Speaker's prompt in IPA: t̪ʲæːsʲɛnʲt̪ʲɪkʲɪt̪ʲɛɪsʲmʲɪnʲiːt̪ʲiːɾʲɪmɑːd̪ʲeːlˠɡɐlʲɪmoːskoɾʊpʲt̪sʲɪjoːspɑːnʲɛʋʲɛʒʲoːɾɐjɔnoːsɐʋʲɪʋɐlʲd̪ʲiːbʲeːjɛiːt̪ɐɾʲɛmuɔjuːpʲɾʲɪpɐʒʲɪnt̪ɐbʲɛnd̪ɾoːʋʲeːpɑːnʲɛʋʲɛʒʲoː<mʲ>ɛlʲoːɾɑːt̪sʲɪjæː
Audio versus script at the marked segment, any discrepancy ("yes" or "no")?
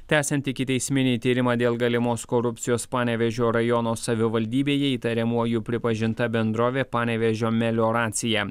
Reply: no